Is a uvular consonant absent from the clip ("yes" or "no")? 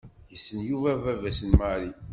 yes